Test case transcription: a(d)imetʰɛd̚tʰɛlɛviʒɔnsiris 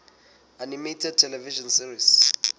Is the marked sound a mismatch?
yes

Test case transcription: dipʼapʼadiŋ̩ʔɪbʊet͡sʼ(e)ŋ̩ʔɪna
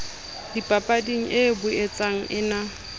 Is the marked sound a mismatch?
yes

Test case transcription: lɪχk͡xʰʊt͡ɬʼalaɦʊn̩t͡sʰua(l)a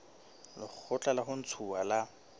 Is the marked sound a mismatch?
no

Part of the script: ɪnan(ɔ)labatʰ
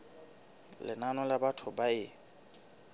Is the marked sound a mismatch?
no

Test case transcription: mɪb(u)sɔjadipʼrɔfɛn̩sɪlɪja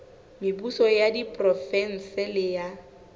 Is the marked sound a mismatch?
no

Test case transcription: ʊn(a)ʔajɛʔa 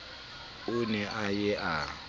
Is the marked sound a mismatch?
yes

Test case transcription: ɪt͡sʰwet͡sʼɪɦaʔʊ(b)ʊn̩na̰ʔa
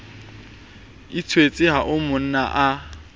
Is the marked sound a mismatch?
yes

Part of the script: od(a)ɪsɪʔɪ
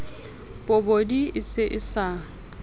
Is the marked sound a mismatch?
yes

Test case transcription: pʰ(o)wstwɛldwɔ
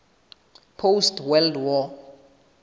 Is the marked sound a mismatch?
no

